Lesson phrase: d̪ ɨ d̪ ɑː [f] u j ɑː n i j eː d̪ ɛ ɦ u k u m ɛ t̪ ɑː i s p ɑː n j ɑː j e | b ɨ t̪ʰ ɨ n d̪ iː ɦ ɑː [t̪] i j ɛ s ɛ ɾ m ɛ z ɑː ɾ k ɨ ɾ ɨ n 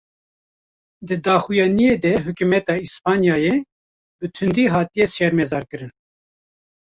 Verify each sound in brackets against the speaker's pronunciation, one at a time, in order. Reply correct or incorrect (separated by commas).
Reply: incorrect, correct